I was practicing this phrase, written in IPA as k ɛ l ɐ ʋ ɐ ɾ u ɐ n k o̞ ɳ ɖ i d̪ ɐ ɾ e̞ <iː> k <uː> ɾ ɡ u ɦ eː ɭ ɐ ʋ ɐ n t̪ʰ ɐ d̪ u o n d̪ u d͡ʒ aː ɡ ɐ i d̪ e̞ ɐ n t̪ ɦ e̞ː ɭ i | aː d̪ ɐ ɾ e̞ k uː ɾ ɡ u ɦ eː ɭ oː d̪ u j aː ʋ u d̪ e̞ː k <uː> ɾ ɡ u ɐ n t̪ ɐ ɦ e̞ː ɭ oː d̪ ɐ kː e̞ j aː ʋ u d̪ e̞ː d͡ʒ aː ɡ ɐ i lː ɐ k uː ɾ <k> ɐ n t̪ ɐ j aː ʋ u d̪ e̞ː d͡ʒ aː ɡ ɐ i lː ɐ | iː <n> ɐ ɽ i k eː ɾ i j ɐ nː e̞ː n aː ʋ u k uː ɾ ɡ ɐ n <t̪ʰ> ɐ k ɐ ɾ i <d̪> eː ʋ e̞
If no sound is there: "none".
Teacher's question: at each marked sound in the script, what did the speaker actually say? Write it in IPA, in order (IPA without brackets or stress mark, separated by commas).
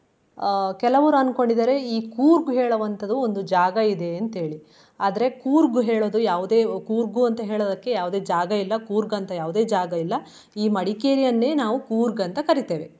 iː, uː, uː, ɡ, m, t̪, t̪